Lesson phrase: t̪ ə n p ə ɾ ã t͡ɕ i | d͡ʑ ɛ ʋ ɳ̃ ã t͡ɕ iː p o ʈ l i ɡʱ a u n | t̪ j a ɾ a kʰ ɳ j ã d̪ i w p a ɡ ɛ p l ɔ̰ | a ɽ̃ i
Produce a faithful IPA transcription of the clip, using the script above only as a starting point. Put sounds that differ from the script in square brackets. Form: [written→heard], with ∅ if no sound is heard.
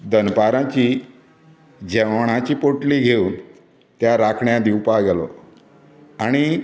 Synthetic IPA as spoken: [t̪→d̪] ə n p [ə→a] ɾ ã t͡ɕ i | d͡ʑ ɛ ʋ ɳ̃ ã t͡ɕ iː p o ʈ l i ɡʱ [a→e] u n | t̪ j a ɾ a kʰ ɳ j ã d̪ i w p a ɡ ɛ [p→∅] l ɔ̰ | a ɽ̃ i